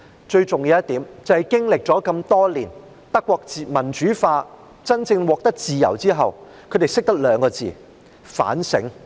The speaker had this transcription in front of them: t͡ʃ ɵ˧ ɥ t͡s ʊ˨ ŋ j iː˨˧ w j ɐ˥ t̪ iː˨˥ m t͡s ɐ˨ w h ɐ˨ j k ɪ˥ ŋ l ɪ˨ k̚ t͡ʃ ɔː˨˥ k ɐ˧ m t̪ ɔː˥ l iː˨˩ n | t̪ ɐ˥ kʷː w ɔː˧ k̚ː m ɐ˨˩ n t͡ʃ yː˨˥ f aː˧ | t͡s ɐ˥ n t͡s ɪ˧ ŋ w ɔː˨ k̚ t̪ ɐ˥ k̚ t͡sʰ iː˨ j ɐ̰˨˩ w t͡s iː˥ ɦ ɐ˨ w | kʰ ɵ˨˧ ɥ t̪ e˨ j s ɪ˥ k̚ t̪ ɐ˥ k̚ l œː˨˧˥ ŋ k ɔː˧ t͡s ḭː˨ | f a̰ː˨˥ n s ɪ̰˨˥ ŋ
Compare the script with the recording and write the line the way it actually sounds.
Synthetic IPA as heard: t͡ʃ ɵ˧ ɥ t͡s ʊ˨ ŋ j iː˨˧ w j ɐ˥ t̪ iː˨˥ m t͡s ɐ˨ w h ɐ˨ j k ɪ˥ ŋ l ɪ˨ k̚ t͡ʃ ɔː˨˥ k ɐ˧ m t̪ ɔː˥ l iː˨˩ n | t̪ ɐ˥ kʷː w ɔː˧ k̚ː m ɐ˨˩ n t͡ʃ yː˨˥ f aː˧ | t͡s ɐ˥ n t͡s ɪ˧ ŋ w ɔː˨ k̚ t̪ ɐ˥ k̚ t͡s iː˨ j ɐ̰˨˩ w t͡s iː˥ ɦ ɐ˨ w | kʰ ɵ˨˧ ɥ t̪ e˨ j s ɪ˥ k̚ t̪ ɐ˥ k̚ l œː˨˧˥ ŋ k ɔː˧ t͡s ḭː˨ | f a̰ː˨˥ n s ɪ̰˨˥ ŋ